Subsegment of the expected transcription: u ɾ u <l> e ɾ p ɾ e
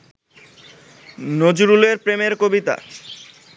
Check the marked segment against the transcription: correct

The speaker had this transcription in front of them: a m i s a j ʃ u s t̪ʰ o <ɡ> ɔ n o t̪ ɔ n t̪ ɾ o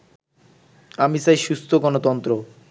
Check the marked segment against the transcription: correct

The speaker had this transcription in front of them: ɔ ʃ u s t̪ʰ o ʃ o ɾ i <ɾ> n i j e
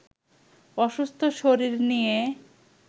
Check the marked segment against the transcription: correct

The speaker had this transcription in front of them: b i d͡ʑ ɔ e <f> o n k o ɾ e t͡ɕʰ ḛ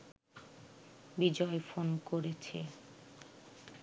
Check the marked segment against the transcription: correct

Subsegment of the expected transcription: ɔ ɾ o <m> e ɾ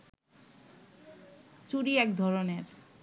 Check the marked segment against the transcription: incorrect: n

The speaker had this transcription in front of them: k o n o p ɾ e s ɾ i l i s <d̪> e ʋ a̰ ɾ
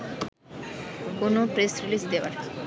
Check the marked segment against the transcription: correct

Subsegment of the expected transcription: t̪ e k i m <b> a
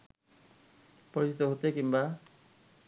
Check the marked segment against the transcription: correct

